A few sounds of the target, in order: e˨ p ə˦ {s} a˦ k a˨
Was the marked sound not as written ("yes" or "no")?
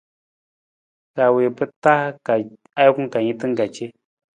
yes